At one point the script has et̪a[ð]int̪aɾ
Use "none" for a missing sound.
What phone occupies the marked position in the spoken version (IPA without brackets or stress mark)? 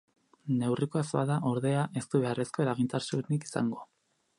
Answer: ɣ